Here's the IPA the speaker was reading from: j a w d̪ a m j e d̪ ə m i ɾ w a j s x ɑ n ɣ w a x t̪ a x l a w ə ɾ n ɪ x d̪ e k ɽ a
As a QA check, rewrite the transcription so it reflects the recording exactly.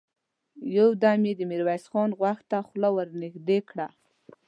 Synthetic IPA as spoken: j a w d̪ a m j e d̪ ə m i ɾ w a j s x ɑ n ɣ w a x t̪ a x l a w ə ɾ n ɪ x d̪ e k ɽ a